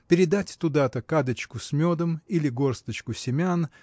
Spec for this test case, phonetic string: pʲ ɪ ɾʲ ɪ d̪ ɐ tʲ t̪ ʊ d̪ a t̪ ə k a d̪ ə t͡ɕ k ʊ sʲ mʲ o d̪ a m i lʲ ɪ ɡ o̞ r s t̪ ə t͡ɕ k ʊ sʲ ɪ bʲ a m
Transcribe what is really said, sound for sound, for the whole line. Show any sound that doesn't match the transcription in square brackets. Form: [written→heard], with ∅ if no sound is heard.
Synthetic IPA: pʲ ɪ ɾʲ ɪ d̪ [ɐ→a] tʲ t̪ ʊ d̪ a t̪ ə k a d̪ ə t͡ɕ k ʊ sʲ mʲ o d̪ [a→ə] m i lʲ ɪ ɡ o̞ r s t̪ ə t͡ɕ k ʊ sʲ ɪ [bʲ→mʲ] a [m→n]